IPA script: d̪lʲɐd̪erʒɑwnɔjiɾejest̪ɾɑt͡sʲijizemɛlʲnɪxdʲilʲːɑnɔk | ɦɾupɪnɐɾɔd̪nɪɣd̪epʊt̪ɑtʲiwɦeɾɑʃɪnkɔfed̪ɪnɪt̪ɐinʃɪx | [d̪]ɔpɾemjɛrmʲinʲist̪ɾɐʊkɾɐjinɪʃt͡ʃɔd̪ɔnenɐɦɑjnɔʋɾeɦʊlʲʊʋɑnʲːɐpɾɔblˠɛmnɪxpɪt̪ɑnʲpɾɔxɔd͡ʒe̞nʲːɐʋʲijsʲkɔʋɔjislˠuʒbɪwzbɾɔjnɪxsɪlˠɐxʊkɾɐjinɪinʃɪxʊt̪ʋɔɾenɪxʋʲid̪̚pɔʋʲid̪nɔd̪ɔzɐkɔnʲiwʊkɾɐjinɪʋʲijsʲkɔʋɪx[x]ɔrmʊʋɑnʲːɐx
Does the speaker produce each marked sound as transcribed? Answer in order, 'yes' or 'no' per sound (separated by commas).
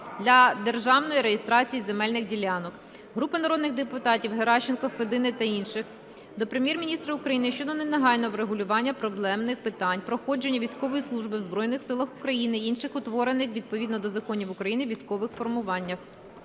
yes, no